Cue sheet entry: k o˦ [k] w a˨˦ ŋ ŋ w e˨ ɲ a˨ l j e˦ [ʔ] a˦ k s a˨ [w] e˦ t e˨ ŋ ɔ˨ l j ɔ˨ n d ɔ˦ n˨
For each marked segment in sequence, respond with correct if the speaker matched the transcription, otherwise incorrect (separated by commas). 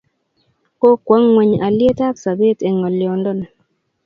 correct, incorrect, incorrect